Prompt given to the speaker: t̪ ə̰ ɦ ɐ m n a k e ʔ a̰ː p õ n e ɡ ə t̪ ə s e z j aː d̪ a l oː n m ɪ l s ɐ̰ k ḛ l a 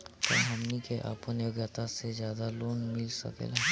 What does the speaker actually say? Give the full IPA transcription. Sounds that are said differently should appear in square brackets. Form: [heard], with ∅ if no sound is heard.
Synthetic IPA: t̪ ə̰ ɦ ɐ m n [i] k e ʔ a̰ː p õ n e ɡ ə t̪ [a] s e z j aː d̪ a l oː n m ɪ l s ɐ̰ k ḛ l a